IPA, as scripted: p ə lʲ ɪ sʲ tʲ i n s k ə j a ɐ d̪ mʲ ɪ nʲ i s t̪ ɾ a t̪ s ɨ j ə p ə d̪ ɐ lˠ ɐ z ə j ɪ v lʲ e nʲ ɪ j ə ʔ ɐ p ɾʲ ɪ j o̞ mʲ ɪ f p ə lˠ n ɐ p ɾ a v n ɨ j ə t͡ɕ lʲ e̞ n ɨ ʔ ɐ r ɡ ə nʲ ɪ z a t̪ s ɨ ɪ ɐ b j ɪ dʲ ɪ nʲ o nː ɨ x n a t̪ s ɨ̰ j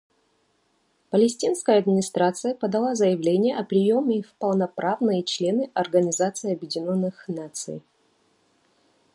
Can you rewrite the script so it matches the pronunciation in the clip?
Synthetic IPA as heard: p ə lʲ ɪ sʲ tʲ i n s k ə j ə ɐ d̪ mʲ ɪ nʲ ɪ s t̪ ɾ a t̪ s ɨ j ə p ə d̪ ɐ lˠ a z ə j ɪ v lʲ e nʲ ɪ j ə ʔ ɐ p ɾʲ ɪ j o̞ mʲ ɪ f p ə lˠ n ɐ p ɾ a v n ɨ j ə t͡ɕ lʲ e̞ n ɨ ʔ ɐ r ɡ ə nʲ ɪ z a t̪ s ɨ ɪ ɐ b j ɪ dʲ ɪ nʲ o nː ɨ x n a t̪ s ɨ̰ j